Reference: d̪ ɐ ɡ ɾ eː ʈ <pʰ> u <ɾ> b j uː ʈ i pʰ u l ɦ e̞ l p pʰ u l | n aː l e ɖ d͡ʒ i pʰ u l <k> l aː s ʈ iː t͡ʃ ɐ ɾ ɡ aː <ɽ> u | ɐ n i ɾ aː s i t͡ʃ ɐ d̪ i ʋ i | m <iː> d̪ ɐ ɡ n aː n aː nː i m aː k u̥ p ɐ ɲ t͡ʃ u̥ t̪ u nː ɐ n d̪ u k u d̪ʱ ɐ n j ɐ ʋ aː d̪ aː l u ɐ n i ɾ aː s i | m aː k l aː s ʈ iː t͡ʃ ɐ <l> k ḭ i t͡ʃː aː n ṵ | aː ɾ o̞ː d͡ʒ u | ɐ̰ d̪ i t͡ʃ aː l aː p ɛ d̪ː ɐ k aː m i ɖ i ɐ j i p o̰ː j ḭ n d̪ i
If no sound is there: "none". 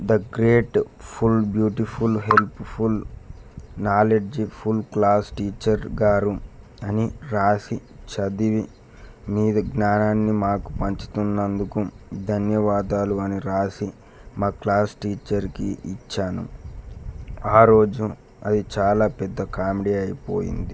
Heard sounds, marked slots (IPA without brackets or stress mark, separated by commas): pʰ, l, k, ɾ, iː, ɾ